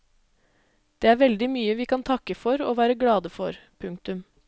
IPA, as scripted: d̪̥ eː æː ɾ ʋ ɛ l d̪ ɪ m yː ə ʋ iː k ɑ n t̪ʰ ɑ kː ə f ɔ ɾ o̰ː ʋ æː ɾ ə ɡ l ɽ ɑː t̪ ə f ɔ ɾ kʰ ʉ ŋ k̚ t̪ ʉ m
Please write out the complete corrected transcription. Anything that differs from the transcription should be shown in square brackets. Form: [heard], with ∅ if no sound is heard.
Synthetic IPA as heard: d̪̥ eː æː ɾ ʋ ɛ l d̪ ɪ m yː ə ʋ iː k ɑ n t̪ʰ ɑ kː ə f ɔ ɾ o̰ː ʋ æː ɾ ə ɡ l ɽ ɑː [d̪] ə f ɔ ɾ [pʰ] ʉ ŋ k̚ t̪ ʉ m